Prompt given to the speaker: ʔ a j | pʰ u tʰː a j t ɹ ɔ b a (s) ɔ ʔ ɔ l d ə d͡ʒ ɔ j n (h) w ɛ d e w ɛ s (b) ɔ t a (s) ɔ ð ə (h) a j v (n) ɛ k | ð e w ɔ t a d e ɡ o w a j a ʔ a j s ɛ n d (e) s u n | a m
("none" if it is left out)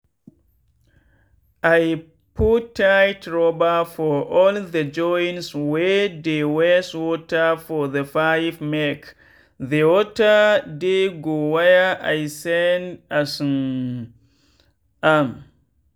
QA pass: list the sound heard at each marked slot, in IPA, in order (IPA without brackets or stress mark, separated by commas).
f, s, w, f, f, m, a